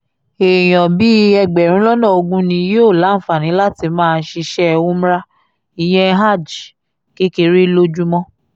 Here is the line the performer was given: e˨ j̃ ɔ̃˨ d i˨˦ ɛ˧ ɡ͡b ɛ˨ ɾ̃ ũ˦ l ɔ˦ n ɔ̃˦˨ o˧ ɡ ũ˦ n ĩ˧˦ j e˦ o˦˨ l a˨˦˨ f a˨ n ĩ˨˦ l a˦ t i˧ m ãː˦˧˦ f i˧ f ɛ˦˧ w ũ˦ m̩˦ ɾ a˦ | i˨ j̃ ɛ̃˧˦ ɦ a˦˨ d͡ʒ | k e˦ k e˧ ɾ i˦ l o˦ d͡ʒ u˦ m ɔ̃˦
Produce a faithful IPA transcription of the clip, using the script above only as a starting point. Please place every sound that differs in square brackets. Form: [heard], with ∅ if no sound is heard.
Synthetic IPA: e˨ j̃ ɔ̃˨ [b] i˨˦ ɛ˧ ɡ͡b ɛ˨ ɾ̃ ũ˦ l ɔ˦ n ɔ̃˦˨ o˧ ɡ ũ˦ n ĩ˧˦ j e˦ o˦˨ l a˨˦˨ f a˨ n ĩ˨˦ l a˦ t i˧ m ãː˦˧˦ [ʃ] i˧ [ʃ] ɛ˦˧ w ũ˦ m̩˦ ɾ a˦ | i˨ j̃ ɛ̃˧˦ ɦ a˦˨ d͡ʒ | k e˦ k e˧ ɾ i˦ l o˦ d͡ʒ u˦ m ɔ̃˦